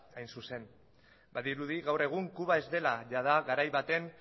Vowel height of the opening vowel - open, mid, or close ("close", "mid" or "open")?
open